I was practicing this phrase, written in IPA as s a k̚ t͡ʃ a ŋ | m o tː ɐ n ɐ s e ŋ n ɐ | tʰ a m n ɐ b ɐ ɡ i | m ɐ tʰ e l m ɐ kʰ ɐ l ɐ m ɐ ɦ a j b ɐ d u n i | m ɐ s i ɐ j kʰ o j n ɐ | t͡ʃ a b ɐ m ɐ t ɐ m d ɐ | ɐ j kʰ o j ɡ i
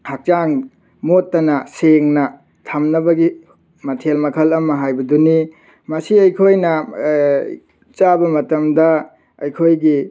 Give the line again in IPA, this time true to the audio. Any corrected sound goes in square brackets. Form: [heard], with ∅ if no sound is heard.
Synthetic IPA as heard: [h] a k̚ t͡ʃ a ŋ | m o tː ɐ n ɐ s e ŋ n ɐ | tʰ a m n ɐ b ɐ ɡ i | m ɐ tʰ e l m ɐ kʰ ɐ l ɐ m ɐ ɦ a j b ɐ d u n i | m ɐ s i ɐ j kʰ o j n ɐ | t͡ʃ a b ɐ m ɐ t ɐ m d ɐ | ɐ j kʰ o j ɡ i